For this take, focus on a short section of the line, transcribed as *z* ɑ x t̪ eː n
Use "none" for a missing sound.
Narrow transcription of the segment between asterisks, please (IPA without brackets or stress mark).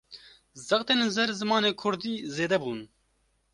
z